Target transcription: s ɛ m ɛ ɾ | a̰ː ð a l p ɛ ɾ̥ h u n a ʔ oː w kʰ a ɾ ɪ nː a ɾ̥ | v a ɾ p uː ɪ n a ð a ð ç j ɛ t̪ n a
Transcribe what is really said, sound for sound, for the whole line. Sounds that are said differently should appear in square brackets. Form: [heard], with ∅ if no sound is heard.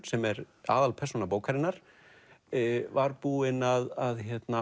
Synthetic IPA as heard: s ɛ m ɛ ɾ | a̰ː ð a l [pʰ] ɛ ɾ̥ [s] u n a [p] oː w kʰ a ɾ ɪ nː a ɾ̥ | v a ɾ p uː ɪ n a ð a ð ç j ɛ t̪ n a